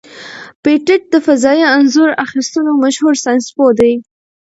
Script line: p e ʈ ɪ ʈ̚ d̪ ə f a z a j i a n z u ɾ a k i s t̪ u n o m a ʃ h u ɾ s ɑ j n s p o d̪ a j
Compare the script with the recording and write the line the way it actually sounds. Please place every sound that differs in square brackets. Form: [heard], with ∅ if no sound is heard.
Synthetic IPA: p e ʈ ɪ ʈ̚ d̪ ə f a z [ɑ] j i a n z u ɾ a [x] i s t̪ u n o m a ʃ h u ɾ s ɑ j n s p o d̪ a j